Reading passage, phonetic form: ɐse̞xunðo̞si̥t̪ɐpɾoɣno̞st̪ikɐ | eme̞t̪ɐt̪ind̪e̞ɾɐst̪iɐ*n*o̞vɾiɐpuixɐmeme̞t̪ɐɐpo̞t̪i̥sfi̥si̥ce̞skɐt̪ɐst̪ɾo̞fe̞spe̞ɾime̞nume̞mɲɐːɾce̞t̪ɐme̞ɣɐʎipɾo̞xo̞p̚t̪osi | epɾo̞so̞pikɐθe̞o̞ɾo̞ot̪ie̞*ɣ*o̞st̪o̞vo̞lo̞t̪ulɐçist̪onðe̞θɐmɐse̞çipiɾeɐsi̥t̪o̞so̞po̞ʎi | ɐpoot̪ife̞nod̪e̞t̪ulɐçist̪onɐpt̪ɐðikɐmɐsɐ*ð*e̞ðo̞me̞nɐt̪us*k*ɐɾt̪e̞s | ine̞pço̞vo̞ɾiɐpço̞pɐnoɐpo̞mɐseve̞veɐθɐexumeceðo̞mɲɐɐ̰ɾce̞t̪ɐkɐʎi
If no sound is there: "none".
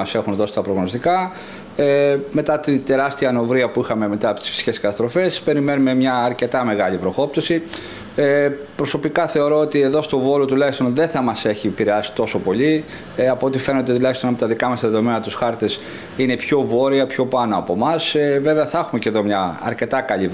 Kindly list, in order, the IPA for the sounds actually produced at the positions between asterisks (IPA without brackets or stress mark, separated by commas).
n, ð, ð, x